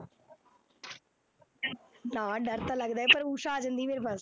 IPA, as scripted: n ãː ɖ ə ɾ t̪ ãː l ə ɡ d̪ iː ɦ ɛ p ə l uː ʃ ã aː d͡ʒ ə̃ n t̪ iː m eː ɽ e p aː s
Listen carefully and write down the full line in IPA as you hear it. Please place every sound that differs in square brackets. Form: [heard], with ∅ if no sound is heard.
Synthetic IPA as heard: n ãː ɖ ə ɾ t̪ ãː l ə ɡ d̪ [aː] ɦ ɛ p ə [ɾ] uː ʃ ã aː d͡ʒ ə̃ n [d̪] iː m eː [ɾ] e p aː s